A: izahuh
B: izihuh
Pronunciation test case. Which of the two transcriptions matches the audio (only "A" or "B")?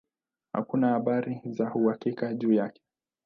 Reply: A